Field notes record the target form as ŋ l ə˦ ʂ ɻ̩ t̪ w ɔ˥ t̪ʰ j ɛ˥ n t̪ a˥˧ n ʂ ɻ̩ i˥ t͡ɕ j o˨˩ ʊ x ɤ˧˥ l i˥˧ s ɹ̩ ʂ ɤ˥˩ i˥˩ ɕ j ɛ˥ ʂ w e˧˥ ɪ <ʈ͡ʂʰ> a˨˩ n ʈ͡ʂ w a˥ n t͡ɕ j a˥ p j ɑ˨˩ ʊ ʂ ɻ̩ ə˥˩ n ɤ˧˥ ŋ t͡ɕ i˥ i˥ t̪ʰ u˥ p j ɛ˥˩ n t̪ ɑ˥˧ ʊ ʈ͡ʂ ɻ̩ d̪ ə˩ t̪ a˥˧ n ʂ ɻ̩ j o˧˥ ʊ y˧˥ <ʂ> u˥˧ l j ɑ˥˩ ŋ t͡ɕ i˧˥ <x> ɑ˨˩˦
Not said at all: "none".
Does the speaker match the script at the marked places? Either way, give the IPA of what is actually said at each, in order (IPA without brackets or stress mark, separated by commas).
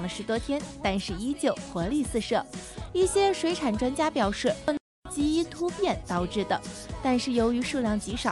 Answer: ʈ͡ʂʰ, ʂ, ʂ